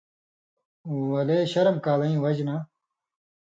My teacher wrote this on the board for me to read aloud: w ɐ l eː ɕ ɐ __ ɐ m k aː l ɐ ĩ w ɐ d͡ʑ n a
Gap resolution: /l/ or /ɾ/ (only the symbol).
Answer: ɾ